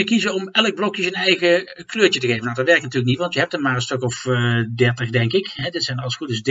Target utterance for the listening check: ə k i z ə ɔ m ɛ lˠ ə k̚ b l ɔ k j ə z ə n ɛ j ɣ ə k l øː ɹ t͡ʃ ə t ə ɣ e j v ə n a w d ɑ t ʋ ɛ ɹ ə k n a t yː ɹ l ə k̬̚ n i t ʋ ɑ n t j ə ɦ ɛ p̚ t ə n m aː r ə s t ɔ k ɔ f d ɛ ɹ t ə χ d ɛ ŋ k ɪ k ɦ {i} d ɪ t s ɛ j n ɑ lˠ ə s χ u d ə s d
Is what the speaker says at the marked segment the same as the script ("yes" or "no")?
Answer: no